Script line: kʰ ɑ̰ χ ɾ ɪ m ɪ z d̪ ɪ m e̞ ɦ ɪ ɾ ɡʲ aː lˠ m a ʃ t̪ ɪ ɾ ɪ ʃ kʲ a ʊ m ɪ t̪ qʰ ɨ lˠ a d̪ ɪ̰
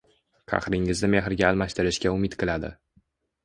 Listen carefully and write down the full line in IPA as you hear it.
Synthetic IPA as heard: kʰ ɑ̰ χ ɾ ɪ ŋ ɪ z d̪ ɪ m e̞ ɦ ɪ ɾ ɡʲ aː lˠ m a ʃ t̪ ɪ ɾ ɪ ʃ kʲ a ʊ m ɪ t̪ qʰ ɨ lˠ a d̪ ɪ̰